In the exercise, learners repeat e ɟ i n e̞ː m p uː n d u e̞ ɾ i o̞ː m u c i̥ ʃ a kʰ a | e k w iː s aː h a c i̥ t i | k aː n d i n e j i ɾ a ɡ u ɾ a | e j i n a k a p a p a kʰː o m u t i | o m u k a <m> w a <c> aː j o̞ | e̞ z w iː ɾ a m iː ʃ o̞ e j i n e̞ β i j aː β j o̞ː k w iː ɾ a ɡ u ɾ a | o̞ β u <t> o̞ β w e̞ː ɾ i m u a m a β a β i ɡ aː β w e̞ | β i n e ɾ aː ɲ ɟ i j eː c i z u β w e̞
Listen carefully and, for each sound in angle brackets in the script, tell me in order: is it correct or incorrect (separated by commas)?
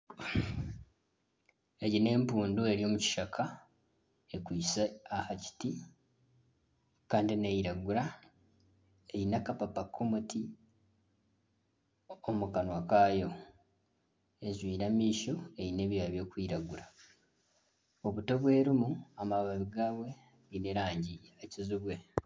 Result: incorrect, incorrect, correct